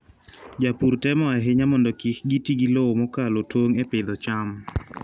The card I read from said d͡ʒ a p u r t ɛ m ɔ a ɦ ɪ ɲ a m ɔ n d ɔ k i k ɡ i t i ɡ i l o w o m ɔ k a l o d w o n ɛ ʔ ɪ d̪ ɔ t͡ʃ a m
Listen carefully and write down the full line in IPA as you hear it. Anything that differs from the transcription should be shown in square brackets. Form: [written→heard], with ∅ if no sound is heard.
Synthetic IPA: d͡ʒ a p u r t ɛ m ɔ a ɦ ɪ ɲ a m ɔ n d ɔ k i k ɡ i t i ɡ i l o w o m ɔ k a l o [d→t] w o [n→ŋ] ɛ [ʔ→p] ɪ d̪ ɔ t͡ʃ a m